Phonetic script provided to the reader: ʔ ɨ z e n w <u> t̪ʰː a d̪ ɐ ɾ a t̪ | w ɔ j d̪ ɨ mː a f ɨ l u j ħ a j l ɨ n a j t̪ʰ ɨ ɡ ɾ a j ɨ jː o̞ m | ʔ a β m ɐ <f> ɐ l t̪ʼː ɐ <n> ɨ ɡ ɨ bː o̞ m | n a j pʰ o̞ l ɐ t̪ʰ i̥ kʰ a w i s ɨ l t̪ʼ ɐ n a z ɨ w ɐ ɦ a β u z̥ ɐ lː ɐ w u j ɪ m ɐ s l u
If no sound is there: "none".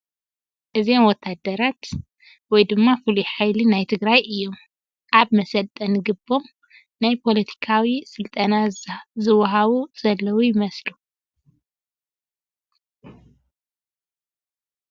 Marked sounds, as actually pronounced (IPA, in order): ɔ, s, n

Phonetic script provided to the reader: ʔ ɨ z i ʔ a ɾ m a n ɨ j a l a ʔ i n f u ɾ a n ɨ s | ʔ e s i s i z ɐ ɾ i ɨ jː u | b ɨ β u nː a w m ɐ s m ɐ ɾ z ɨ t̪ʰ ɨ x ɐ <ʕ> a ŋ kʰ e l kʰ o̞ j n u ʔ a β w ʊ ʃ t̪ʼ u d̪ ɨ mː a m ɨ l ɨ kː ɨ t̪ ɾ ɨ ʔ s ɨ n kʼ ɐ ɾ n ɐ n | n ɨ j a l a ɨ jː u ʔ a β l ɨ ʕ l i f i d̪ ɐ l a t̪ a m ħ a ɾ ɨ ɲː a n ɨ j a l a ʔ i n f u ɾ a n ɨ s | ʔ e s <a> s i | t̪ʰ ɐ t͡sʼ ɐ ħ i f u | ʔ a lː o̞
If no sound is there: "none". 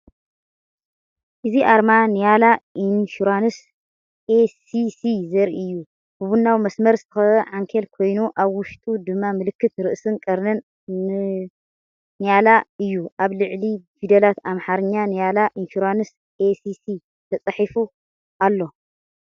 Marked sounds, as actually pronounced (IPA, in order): ʕ, i

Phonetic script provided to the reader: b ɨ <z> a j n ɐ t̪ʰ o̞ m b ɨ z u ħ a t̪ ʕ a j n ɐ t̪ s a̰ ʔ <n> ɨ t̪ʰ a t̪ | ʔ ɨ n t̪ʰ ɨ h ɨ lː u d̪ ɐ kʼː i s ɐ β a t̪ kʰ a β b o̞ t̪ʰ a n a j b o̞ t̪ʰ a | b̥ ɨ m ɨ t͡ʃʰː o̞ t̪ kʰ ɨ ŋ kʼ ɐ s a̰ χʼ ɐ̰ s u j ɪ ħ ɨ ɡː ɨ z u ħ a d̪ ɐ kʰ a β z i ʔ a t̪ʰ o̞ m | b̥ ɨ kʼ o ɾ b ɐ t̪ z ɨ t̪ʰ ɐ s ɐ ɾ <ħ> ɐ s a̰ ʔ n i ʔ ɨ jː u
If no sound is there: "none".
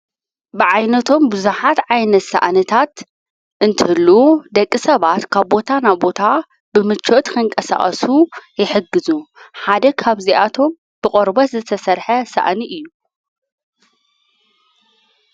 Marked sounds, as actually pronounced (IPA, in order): ʕ, n, ħ

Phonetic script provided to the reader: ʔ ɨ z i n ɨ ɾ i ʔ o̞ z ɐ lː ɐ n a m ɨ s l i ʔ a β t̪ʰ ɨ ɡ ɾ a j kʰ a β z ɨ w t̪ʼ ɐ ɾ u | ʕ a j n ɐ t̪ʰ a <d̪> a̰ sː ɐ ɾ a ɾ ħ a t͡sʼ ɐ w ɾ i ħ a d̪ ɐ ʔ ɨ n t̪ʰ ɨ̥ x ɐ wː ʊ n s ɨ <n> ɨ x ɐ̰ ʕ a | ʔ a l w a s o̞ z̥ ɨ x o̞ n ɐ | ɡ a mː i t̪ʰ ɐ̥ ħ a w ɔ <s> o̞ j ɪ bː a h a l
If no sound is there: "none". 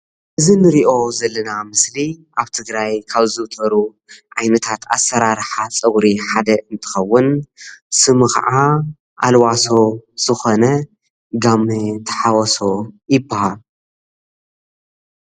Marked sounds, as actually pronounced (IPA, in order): t̪, m, s

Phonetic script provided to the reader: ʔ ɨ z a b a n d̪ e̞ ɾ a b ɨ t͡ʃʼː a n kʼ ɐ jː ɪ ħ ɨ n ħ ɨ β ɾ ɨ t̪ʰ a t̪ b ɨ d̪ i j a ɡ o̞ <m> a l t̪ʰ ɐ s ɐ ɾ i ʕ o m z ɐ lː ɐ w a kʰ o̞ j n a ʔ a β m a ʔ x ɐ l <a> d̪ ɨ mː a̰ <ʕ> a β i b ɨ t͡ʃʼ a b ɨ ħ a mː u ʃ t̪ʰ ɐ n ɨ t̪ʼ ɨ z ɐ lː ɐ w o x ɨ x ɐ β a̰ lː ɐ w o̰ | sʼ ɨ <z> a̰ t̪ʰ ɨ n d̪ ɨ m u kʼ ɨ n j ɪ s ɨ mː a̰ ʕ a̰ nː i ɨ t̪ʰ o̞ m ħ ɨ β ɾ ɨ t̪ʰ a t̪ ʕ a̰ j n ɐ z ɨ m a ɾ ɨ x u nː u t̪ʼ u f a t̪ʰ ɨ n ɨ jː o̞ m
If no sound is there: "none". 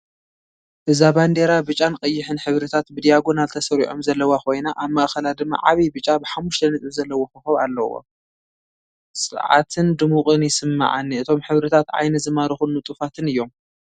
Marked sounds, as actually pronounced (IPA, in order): n, a, ʕ, ʕ

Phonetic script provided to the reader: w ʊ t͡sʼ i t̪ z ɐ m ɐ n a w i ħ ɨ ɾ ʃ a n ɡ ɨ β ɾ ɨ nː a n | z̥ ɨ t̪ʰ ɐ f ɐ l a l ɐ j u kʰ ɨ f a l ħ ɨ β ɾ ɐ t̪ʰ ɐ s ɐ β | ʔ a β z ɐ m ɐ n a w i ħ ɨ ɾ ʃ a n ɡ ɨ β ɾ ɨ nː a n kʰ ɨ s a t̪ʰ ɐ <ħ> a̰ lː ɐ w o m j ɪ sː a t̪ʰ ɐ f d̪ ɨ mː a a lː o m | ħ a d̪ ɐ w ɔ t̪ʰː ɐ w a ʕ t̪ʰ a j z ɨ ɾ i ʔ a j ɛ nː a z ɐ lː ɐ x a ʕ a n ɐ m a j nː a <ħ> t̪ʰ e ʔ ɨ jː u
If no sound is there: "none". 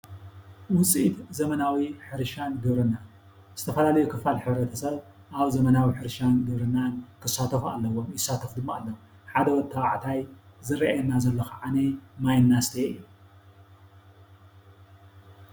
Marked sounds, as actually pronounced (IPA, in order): f, s

